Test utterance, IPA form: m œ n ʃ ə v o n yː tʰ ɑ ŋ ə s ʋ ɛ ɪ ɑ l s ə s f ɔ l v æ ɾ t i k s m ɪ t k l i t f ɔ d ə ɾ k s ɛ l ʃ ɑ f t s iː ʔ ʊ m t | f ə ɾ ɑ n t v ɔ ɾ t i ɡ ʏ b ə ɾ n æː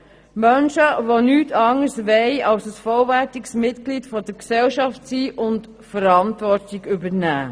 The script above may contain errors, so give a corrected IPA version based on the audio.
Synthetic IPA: m œ n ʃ ə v o n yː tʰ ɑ ŋ ə s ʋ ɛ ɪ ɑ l s ə s f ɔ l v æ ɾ t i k s m ɪ t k l i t f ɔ d ə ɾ k s ɛ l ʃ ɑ f t s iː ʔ ʊ n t | f ə ɾ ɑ n t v ɔ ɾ t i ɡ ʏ b ə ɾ n æː